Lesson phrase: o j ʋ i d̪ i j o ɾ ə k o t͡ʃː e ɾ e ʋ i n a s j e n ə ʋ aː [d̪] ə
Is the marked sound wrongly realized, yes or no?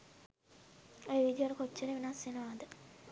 no